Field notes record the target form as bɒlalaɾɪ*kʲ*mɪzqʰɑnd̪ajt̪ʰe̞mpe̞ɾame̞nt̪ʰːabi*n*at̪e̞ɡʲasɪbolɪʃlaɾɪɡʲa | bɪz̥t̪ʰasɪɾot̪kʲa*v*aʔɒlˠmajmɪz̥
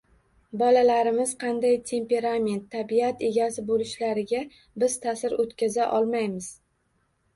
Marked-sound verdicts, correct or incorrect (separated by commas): incorrect, incorrect, incorrect